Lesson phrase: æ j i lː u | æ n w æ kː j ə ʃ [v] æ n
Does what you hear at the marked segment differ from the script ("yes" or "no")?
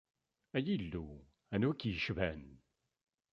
no